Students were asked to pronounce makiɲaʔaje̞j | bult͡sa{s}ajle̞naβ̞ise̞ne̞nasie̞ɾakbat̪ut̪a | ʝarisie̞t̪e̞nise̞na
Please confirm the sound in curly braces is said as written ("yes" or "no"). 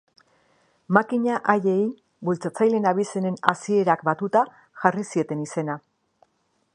no